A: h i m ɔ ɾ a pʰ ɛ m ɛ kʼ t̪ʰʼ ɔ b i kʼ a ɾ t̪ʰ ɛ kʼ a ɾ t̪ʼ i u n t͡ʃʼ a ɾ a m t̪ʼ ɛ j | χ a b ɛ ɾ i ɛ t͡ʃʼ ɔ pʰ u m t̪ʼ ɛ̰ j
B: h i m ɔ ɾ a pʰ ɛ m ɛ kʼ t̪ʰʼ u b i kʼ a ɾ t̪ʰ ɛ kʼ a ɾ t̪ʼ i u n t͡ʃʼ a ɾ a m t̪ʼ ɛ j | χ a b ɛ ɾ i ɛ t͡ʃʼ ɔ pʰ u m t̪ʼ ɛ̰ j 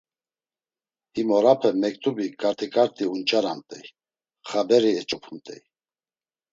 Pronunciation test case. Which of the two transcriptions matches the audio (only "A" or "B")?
B